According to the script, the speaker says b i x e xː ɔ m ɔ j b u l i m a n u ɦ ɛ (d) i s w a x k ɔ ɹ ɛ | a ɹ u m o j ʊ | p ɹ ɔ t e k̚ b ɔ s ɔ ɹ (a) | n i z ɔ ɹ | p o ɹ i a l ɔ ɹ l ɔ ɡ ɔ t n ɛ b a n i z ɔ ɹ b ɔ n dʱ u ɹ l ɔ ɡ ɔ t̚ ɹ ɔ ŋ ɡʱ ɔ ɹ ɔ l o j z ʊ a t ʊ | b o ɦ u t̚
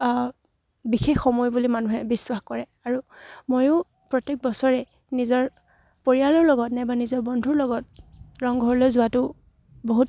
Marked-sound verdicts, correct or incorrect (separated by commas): incorrect, incorrect